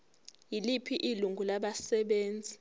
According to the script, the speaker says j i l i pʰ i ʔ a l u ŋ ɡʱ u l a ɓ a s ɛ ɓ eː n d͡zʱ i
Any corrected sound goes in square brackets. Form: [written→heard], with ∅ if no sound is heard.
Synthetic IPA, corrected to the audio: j i l i pʰ i ʔ [a→i] l u ŋ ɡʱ u l a ɓ a s ɛ ɓ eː n d͡zʱ i